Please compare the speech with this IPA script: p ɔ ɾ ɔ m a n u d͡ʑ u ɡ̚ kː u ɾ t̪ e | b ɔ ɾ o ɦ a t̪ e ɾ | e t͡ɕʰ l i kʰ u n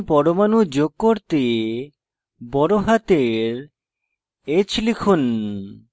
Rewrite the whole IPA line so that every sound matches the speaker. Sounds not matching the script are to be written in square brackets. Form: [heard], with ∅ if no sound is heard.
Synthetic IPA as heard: p ɔ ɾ [o] m a n u d͡ʑ [o] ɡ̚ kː [o] ɾ t̪ e | b ɔ ɾ o ɦ a t̪ e ɾ | e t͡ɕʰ l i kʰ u n